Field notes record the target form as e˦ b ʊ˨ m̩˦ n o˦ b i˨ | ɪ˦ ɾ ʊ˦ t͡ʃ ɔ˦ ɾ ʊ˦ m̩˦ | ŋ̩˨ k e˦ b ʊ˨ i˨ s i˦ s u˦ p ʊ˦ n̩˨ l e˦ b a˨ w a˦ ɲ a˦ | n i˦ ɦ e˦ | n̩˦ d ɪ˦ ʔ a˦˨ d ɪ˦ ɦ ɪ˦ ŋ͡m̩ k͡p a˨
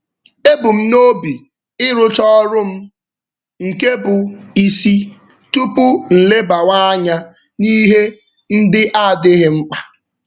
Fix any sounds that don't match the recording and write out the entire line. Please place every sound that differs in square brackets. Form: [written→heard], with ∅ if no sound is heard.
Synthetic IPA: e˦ b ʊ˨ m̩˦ n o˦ b i˨ | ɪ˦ ɾ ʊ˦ t͡ʃ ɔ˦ ɾ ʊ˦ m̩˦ | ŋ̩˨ k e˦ b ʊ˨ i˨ s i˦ [s→t] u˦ p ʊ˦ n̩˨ l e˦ b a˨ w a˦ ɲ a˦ | n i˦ ɦ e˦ | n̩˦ d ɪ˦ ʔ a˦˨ d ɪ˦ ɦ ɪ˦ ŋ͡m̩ k͡p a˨